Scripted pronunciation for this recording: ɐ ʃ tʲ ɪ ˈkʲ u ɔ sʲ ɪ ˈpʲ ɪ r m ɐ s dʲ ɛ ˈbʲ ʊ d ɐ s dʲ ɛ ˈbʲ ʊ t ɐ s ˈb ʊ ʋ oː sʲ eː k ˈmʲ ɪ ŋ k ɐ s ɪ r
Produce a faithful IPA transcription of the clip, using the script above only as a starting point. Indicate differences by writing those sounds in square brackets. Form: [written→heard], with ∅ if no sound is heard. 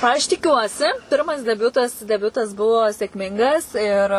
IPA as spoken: ɐ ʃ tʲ ɪ ˈkʲ u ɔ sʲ ɪ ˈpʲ ɪ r m ɐ s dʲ ɛ ˈbʲ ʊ [d→t] ɐ s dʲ ɛ ˈbʲ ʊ t ɐ s ˈb ʊ ʋ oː sʲ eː k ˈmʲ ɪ ŋ [k→ɡ] ɐ s ɪ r